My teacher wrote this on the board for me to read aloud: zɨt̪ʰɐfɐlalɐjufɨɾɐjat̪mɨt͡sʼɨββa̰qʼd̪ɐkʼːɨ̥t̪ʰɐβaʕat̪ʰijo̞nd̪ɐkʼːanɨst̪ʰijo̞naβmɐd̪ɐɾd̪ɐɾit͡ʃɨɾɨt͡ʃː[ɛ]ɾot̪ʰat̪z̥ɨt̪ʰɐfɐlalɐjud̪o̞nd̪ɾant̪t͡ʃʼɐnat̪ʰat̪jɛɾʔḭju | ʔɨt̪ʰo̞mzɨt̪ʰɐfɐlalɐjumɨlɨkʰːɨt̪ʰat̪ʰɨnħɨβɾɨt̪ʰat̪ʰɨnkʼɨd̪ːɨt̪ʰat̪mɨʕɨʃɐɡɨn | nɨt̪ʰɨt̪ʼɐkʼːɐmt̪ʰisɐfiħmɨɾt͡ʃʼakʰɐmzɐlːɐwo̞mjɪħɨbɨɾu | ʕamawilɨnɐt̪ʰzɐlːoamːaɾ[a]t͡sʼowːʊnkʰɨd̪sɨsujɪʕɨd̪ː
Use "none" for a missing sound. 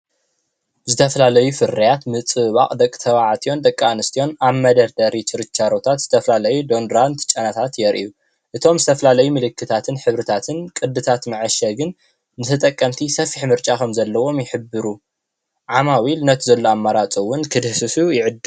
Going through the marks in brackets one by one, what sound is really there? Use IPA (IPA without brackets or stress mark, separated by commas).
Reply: a, a